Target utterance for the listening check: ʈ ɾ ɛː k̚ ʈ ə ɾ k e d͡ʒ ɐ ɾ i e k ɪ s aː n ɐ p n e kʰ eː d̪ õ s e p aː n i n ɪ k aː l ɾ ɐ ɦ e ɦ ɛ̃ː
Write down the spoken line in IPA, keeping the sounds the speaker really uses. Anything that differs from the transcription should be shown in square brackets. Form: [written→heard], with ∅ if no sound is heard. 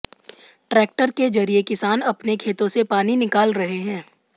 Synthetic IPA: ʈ ɾ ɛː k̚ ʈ ə ɾ k e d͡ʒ ɐ ɾ i e k ɪ s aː n ɐ p n e kʰ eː [d̪→t̪] õ s e p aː n i n ɪ k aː l ɾ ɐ ɦ e ɦ ɛ̃ː